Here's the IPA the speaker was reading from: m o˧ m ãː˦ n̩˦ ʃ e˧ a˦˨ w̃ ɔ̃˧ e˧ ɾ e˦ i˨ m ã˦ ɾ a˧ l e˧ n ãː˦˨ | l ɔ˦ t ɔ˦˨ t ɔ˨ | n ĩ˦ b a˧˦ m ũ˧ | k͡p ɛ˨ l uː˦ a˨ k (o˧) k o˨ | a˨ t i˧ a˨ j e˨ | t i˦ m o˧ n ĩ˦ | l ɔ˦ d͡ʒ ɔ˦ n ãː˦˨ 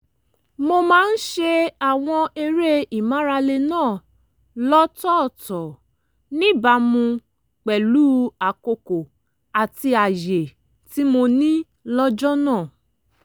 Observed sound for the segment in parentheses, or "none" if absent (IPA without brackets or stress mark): o˧